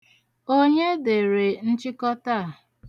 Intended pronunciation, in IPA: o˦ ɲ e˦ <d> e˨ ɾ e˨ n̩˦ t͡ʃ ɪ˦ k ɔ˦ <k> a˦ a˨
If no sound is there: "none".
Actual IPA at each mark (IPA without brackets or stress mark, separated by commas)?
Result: d, t